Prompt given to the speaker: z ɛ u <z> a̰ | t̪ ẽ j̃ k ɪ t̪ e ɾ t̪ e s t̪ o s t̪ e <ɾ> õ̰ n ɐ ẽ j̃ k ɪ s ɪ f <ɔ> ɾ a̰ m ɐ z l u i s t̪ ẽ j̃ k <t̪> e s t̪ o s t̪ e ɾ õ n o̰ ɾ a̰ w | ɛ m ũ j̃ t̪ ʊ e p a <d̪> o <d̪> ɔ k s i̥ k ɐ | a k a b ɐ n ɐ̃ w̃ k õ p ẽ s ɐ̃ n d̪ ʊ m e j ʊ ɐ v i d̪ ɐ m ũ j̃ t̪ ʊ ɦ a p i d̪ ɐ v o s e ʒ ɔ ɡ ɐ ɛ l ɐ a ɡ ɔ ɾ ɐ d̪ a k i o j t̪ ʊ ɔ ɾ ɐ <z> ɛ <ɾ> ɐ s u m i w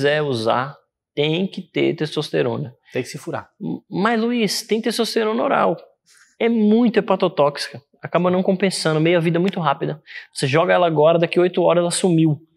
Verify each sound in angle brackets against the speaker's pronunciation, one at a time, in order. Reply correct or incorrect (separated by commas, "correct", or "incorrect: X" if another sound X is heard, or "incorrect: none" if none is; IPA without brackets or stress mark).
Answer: correct, correct, incorrect: u, correct, incorrect: t̪, incorrect: t̪, correct, incorrect: l